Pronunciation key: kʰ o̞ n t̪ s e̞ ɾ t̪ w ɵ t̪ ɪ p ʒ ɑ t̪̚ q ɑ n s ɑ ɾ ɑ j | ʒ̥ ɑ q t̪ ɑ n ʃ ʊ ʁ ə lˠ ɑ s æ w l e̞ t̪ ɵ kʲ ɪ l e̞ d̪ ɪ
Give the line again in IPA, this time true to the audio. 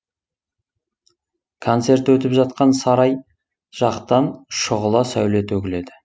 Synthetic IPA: kʰ o̞ n t̪ s e̞ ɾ t̪ w ɵ t̪ ɪ p ʒ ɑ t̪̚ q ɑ n s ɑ ɾ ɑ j | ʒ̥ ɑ q t̪ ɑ n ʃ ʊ ʁ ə lˠ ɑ s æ w l e̞ t̪ ɵ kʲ ɪ l e̞ d̪ ɪ

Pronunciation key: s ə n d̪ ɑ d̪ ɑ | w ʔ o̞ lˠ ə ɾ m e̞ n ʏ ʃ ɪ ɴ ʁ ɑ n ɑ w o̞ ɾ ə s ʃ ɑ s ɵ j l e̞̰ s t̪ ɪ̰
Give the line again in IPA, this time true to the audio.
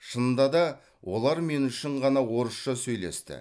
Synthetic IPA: ʃ ə n d̪ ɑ d̪ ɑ | w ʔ o̞ lˠ ɑ ɾ m e̞ n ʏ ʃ ɪ ɴ ʁ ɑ n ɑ w o̞ ɾ ə s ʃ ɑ s ɵ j l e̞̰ s t̪ ɪ̰

